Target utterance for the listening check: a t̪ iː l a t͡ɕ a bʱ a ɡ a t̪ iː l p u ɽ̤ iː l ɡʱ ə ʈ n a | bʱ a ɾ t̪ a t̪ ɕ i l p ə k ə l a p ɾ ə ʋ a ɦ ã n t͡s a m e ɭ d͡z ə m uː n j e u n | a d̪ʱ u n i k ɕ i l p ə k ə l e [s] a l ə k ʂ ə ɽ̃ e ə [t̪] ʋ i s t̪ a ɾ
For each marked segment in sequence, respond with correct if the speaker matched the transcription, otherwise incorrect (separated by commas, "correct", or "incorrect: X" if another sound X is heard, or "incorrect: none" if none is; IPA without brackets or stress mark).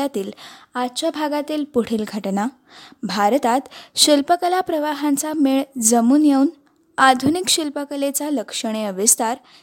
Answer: incorrect: t͡s, incorrect: none